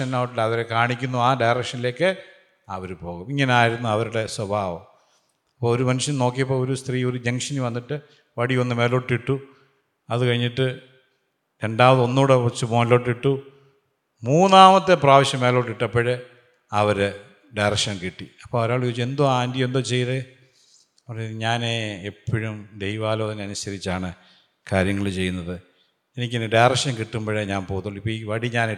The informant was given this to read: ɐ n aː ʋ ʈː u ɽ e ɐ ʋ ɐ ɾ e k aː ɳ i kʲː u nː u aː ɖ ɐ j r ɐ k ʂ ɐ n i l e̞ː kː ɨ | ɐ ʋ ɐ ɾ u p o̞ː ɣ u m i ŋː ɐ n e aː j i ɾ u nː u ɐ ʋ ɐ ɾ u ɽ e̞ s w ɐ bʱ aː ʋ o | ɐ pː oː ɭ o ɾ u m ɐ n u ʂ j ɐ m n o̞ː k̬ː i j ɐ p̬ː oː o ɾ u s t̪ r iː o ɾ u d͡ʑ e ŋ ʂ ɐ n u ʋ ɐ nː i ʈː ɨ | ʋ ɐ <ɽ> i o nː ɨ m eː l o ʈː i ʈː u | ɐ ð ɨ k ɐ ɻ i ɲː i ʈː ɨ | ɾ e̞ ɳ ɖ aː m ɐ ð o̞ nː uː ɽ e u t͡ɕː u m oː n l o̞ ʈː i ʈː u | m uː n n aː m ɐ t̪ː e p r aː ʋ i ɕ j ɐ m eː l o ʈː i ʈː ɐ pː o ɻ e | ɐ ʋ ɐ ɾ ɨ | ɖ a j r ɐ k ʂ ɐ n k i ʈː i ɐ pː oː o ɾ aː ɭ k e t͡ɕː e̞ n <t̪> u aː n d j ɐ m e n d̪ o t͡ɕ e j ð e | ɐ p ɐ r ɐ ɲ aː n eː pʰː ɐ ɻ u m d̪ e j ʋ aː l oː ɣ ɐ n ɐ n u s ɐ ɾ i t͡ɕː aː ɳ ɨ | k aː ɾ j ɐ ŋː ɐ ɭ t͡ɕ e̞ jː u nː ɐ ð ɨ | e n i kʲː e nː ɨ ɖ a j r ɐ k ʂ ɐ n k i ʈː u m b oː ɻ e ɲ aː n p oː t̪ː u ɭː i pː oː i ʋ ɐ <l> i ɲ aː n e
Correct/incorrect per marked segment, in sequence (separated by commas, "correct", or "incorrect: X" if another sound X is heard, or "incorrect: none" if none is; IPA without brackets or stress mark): correct, incorrect: d̪, incorrect: ɽ